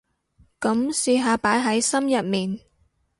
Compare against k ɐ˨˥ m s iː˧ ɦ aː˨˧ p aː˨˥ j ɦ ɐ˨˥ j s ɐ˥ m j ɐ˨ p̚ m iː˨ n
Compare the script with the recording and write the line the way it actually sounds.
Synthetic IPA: k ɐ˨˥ m s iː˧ ɦ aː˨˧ p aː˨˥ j ɦ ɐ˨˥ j s ɐ˥ m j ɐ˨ t̚ m iː˨ n